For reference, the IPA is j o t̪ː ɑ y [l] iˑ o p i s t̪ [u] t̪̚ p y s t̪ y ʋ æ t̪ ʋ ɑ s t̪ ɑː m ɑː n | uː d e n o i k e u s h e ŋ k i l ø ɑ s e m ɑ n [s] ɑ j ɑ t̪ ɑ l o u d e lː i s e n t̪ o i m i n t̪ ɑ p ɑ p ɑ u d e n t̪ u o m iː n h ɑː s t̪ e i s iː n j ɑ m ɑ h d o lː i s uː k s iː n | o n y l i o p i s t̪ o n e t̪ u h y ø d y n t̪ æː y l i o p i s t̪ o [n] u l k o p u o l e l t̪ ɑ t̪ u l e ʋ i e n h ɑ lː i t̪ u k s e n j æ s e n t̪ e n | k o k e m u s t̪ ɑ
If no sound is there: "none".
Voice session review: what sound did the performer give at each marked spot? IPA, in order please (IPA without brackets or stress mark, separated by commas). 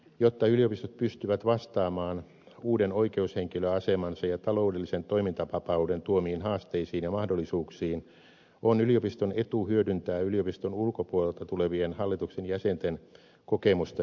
l, o, s, n